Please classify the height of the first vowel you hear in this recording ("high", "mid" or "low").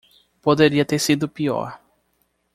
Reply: mid